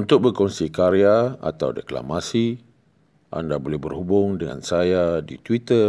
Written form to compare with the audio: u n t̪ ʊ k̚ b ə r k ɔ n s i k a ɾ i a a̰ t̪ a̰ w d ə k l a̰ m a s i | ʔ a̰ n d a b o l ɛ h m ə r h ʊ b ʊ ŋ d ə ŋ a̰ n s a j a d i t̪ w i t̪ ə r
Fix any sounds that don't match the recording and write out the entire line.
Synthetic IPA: u n t̪ ʊ k̚ b ə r k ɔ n s i k a ɾ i a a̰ t̪ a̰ w d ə k l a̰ m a s i | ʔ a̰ n d a b o l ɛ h b ə r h u b ʊ ŋ d ə ŋ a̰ n s a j a d i t̪ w i t̪ ə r